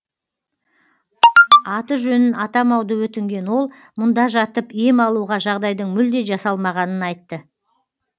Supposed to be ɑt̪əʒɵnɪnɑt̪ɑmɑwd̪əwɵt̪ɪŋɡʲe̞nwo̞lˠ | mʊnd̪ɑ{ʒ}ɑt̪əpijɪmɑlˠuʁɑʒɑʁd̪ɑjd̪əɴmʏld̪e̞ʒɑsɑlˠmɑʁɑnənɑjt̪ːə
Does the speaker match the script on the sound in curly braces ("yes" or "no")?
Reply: yes